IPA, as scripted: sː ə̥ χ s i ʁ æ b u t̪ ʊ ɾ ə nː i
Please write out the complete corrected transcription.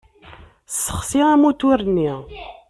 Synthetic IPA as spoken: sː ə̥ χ s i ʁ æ m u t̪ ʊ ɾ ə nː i